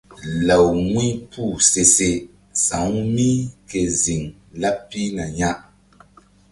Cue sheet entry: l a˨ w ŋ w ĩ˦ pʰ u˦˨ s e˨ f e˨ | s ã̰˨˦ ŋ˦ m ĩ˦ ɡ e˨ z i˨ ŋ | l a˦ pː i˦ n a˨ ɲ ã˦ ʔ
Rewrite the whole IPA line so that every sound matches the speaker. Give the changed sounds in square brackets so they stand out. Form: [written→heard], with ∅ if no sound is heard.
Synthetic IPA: l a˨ w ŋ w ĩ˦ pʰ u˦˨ s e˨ [f→s] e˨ | s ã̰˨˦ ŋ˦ m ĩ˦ [ɡ→k] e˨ z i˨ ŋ | l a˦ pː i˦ n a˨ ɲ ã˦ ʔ